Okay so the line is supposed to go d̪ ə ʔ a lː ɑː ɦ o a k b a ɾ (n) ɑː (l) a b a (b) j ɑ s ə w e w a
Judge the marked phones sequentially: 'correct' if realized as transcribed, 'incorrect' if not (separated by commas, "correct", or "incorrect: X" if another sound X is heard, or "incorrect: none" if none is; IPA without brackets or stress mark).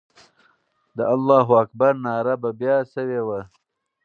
correct, incorrect: ɾ, correct